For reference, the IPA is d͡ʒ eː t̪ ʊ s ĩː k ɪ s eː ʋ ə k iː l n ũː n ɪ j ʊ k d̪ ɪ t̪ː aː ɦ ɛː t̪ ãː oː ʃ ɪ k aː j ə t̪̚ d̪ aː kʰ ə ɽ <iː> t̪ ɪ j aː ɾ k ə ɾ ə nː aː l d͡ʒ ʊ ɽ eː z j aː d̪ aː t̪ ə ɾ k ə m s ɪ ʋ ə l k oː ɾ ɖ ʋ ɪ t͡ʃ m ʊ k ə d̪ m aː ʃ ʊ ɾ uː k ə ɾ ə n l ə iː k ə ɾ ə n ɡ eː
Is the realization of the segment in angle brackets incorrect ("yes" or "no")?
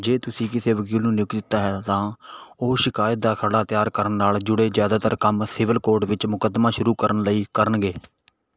yes